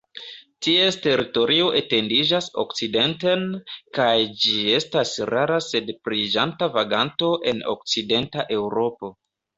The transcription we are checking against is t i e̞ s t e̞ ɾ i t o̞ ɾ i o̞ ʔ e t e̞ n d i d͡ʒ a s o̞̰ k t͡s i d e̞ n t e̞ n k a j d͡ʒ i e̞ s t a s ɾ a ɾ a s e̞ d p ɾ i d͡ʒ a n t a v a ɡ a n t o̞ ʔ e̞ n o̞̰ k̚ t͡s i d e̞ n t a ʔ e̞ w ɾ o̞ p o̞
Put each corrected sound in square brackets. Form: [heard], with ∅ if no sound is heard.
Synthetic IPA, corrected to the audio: t i e̞ s t e̞ ɾ i t o̞ ɾ i o̞ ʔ e t e̞ n d i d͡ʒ a s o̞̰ k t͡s i d e̞ n t e̞ n k a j d͡ʒ i e̞ s t a s ɾ a ɾ a s e̞ d p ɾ i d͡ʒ a n t a v a ɡ a n t o̞ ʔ e̞ n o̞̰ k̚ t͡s i d e̞ n t a ʔ e̞ w ɾ o̞ p o̞

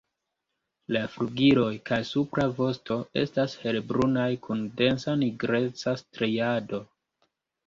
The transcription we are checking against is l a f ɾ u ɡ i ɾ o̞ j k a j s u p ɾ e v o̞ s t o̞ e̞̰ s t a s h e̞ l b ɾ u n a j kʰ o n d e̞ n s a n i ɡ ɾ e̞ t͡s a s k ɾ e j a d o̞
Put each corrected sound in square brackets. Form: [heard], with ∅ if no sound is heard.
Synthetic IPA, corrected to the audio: l a f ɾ u ɡ i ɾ o̞ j k a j s u p ɾ [a] v o̞ s t o̞ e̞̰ s t a s h e̞ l b ɾ u n a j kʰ [u] n d e̞ n s a n i ɡ ɾ e̞ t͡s a s [t] ɾ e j a d o̞

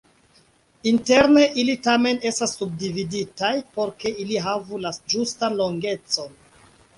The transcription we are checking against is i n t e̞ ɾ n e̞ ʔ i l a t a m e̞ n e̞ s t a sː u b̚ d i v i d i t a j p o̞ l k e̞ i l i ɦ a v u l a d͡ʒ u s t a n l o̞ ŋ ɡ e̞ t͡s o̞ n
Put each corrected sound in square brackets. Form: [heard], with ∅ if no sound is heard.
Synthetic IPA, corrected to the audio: i n t e̞ ɾ n e̞ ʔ i l [i] t a m e̞ n e̞ s t a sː u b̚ d i v i d i t a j p o̞ [ɾ] k e̞ i l i ɦ a v u l a d͡ʒ u s t a n l o̞ ŋ ɡ e̞ t͡s o̞ n

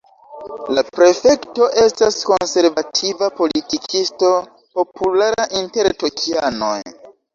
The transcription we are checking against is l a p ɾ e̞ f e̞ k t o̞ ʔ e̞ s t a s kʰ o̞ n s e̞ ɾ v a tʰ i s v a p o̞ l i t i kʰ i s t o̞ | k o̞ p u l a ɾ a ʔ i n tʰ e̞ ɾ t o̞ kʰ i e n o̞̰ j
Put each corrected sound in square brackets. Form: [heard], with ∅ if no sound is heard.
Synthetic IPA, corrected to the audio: l a p ɾ e̞ f e̞ k t o̞ ʔ e̞ s t a s [k] o̞ n s e̞ ɾ v a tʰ i [∅] v a p o̞ l i t i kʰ i s t o̞ | [p] o̞ p u l a ɾ a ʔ i n [t] e̞ ɾ t o̞ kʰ i [a] n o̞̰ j

